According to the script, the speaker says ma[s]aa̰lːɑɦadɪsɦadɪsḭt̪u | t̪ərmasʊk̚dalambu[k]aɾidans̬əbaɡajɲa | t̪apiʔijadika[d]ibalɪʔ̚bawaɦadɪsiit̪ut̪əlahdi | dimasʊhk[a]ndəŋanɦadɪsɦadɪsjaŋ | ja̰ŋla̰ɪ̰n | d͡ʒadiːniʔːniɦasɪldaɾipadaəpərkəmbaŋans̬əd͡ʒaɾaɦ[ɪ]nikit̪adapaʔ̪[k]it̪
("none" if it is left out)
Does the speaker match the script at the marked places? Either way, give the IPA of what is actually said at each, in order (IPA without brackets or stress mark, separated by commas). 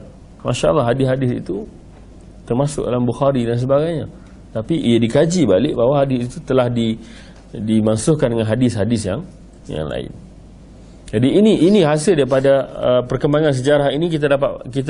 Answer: ʃ, x, d͡ʒ, a, i, k